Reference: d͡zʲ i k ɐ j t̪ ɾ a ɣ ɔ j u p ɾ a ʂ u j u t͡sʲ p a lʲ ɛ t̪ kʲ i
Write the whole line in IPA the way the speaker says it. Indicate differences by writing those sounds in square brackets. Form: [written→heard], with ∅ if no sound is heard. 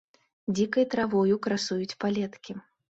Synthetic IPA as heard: d͡zʲ i k ɐ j t̪ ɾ a [ɣ→v] ɔ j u [p→k] ɾ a [ʂ→s] u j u t͡sʲ p a lʲ ɛ t̪ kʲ i